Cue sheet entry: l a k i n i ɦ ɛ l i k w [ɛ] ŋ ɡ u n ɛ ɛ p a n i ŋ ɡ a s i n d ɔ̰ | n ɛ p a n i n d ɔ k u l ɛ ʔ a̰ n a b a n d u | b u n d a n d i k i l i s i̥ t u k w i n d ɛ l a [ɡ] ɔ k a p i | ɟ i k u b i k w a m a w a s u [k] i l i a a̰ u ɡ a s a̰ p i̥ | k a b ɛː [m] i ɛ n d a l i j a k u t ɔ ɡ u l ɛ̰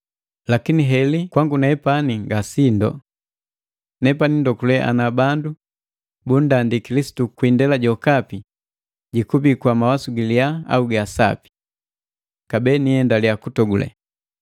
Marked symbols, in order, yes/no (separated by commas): no, no, no, no